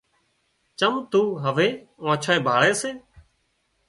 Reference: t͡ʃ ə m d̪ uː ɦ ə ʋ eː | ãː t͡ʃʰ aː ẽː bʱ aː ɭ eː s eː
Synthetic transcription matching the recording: t͡ʃ ə m t̪ uː ɦ ə ʋ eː | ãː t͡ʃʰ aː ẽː bʱ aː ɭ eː s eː